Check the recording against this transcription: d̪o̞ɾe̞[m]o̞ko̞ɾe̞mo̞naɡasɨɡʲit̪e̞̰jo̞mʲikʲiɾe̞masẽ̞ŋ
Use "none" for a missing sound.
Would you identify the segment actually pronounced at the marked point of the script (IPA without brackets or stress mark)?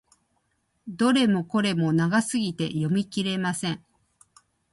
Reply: m